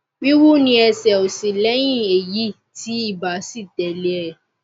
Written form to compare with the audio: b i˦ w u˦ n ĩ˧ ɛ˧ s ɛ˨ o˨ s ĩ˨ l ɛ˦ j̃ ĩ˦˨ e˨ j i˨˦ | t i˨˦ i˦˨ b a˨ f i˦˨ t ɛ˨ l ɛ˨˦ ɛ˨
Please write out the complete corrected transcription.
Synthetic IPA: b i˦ w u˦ n ĩ˧ ɛ˧ s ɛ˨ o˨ s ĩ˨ l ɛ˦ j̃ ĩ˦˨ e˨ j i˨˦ | t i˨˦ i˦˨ b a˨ s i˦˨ t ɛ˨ l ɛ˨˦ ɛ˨